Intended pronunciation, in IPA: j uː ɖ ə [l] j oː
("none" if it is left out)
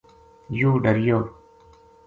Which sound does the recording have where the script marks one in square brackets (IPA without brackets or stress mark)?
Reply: ɾ